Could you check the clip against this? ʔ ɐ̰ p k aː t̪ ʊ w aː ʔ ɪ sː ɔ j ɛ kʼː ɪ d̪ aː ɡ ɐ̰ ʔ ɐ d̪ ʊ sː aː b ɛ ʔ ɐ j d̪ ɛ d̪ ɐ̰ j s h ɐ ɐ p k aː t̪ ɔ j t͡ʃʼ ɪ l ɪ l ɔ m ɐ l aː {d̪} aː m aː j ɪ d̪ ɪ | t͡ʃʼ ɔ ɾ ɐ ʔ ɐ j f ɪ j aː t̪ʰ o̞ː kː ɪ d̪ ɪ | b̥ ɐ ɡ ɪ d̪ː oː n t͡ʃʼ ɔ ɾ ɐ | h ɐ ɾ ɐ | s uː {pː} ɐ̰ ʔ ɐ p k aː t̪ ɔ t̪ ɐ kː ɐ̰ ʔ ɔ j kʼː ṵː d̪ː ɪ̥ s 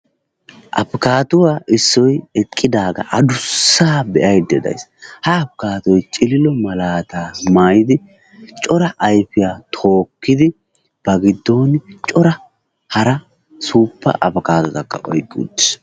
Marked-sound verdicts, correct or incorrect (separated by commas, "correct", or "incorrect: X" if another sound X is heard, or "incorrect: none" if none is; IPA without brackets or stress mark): incorrect: t̪, correct